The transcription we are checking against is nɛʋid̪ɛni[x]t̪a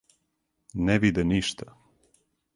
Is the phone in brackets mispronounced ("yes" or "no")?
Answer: yes